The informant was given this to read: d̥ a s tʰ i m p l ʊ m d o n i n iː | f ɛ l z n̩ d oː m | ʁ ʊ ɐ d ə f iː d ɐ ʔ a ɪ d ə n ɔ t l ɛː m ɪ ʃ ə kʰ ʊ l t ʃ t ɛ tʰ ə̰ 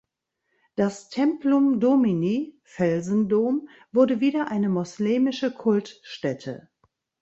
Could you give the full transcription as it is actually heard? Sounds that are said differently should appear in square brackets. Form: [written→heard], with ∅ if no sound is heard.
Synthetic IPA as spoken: d̥ a s tʰ [i→ɛ] m p l ʊ m d o [n→m] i n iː | f ɛ l z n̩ d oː m | [ʁ→v] ʊ ɐ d ə [f→v] iː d ɐ ʔ a ɪ [d→n] ə [n→m] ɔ [t→s] l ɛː m ɪ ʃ ə kʰ ʊ l t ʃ t ɛ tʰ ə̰